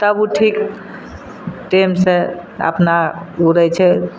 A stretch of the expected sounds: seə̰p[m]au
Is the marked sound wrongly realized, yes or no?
yes